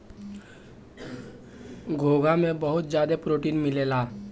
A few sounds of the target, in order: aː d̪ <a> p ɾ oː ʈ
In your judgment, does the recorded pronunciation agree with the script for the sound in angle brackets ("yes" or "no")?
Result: no